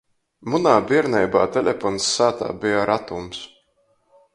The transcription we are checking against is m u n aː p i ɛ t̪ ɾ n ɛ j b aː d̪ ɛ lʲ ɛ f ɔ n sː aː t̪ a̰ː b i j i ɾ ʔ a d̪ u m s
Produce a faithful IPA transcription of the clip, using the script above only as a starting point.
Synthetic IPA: m u n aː b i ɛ ɾ n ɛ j b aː t̪ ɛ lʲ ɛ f ɔ n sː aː t̪ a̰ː b i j a ɾ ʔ a t̪ u m s